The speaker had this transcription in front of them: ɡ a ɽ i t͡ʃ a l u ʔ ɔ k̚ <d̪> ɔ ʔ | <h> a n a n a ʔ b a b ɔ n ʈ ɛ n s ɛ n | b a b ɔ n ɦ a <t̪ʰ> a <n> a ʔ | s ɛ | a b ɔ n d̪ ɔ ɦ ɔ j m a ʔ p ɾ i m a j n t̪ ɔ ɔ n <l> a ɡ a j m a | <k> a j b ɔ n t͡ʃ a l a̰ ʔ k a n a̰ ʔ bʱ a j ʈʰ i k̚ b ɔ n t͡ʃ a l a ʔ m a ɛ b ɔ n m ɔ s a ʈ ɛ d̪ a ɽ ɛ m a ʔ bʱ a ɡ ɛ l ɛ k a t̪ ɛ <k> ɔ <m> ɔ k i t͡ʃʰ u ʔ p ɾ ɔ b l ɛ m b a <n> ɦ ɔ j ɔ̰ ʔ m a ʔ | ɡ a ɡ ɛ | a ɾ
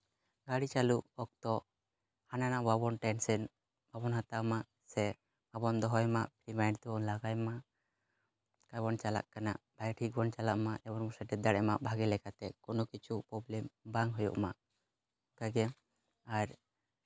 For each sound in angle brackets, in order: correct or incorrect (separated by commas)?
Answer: incorrect, correct, incorrect, incorrect, correct, correct, correct, incorrect, incorrect